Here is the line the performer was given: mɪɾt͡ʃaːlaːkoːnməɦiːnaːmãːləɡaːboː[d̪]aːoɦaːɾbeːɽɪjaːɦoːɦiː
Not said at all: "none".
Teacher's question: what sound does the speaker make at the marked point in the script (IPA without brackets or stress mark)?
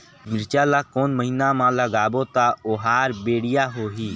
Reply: t̪